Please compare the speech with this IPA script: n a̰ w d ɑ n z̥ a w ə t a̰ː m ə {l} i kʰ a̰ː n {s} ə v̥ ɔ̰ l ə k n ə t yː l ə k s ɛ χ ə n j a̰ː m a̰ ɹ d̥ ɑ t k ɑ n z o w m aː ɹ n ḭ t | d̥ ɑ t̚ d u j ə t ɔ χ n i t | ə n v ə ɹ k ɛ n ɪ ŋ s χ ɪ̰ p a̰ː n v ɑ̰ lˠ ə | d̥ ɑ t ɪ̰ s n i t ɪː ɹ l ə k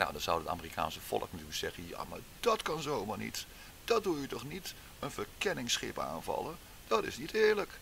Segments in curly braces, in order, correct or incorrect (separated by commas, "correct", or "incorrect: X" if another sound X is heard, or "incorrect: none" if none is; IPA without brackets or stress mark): incorrect: r, correct